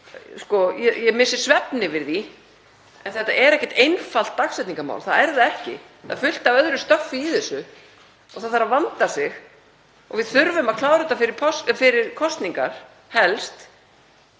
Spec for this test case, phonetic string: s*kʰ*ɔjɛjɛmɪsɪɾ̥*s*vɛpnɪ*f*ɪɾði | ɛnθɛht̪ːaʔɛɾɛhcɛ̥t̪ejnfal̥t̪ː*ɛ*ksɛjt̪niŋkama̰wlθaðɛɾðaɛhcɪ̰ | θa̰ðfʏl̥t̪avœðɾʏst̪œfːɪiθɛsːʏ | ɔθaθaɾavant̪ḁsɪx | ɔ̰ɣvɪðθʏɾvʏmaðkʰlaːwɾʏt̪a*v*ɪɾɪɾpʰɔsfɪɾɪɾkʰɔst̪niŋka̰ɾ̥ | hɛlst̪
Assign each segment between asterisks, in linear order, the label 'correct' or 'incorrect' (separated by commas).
incorrect, correct, incorrect, incorrect, incorrect